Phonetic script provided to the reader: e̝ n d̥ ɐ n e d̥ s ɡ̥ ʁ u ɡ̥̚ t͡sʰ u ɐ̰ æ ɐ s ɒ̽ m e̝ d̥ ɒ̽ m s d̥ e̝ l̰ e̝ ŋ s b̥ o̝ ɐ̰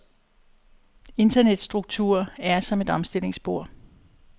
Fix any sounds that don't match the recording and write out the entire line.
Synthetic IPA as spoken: e̝ n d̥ ɐ n e d̥ s d̥ ʁ u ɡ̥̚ t͡sʰ u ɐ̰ æ ɐ s ɒ̽ m e̝ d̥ ɒ̽ m s d̥ e̝ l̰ e̝ ŋ s b̥ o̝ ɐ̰